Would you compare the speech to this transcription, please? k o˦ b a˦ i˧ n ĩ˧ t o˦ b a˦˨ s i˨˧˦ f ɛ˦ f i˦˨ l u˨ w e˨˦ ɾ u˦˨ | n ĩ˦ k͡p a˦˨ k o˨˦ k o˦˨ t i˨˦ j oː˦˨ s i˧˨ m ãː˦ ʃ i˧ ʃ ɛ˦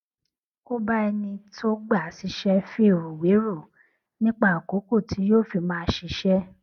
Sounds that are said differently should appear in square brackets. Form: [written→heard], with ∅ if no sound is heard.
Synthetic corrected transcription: k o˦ b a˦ [i˧→ɛ˧] n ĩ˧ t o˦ [b→ɡ͡b] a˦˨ s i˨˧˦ [f→ʃ] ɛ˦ f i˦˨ [l→ɾ] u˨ w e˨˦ ɾ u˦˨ | n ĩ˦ k͡p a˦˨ k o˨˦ k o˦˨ t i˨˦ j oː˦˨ [s→f] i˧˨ m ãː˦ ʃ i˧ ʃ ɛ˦